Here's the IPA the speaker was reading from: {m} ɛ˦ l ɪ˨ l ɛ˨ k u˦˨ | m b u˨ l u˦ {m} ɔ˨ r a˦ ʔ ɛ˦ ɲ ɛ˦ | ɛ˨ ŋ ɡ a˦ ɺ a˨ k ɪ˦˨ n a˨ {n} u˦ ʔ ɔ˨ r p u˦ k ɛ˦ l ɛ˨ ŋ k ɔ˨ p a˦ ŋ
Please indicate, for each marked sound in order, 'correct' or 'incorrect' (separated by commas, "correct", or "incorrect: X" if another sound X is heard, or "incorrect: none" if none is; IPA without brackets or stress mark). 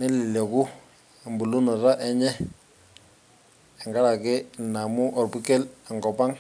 incorrect: n, incorrect: n, incorrect: m